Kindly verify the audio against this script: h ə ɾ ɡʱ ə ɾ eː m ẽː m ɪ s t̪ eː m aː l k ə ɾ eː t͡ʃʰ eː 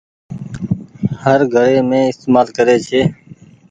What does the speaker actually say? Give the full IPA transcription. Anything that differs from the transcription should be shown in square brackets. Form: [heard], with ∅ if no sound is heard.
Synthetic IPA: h ə ɾ ɡʱ ə ɾ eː m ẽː [∅] ɪ s t̪ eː m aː l k ə ɾ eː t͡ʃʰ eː